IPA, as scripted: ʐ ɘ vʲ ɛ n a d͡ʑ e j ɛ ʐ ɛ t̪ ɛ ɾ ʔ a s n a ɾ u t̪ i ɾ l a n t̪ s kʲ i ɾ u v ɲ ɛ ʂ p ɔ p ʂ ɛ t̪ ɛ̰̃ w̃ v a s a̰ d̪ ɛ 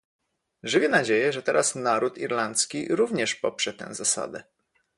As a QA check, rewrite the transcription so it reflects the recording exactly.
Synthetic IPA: ʐ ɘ vʲ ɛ n a d͡ʑ e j ɛ ʐ ɛ t̪ ɛ ɾ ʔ a s n a ɾ u t̪ i ɾ l a n t̪ s kʲ i ɾ u v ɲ ɛ ʂ p ɔ p ʂ ɛ t̪ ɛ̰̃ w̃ z a s a̰ d̪ ɛ